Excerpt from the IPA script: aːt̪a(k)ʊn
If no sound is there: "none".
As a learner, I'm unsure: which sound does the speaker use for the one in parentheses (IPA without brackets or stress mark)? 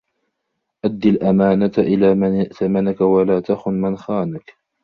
x